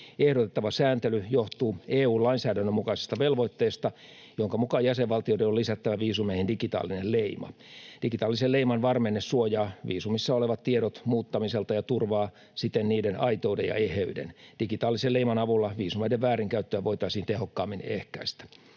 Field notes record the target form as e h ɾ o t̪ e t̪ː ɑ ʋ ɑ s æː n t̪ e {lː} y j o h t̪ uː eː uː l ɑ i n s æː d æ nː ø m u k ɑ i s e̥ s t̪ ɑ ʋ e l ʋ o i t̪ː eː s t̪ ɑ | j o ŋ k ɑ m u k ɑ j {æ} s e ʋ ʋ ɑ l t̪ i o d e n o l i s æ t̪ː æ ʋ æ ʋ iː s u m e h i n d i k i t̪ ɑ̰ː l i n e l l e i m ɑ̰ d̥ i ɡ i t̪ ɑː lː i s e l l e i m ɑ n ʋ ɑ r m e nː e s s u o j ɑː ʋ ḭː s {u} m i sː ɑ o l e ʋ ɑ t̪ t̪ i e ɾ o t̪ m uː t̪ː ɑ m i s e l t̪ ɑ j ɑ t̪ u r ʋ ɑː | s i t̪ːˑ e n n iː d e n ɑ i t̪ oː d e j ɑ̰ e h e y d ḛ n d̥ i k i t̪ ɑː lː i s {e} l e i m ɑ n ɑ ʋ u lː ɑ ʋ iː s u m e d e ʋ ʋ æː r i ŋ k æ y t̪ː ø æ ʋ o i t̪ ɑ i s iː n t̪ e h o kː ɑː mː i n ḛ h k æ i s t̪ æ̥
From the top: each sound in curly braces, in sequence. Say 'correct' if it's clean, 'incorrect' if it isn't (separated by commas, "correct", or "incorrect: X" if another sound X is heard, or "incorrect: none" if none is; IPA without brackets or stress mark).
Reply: incorrect: l, correct, correct, correct